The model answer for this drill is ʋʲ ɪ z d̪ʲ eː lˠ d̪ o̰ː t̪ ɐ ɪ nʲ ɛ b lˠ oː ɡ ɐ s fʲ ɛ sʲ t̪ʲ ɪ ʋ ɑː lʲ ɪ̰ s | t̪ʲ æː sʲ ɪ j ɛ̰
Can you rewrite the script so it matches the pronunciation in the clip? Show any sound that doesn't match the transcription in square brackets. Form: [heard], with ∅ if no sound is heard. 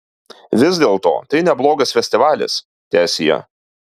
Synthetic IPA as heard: ʋʲ ɪ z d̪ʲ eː lˠ [t̪] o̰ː t̪ ɐ ɪ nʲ ɛ b lˠ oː ɡ ɐ s fʲ ɛ sʲ t̪ʲ ɪ ʋ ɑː lʲ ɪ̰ s | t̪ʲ æː sʲ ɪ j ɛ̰